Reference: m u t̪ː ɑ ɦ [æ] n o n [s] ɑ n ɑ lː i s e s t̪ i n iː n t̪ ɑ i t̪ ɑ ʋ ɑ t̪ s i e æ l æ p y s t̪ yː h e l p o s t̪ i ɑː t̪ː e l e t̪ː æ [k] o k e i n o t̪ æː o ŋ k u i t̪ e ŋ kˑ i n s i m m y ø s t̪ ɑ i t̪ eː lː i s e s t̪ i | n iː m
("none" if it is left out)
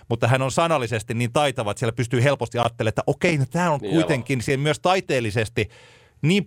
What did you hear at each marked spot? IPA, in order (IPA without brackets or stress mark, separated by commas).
æ, s, ʔ